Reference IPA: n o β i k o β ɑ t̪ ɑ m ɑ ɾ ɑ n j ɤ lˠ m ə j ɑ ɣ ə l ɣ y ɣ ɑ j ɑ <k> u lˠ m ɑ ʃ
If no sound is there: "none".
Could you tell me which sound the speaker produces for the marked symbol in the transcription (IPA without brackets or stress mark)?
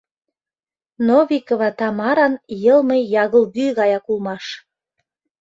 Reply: k